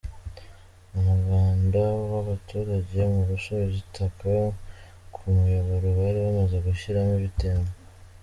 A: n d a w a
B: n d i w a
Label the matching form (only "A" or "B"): A